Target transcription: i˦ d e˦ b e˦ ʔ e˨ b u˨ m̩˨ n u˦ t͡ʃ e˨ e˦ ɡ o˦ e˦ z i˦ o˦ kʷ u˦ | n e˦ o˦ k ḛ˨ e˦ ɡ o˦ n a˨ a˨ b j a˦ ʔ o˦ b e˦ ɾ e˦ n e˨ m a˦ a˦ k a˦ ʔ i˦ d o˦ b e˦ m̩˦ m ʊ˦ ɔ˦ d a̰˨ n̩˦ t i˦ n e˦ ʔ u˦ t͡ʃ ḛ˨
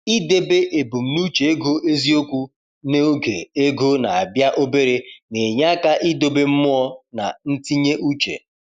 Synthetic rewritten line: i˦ d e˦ b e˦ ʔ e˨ b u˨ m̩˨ n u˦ t͡ʃ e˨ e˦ ɡ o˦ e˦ z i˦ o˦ kʷ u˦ | n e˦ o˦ ɡ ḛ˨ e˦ ɡ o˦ n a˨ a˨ b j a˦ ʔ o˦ b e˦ ɾ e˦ n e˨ ɲ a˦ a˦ k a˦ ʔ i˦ d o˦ b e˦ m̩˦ m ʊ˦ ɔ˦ n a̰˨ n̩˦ t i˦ ɲ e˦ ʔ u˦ t͡ʃ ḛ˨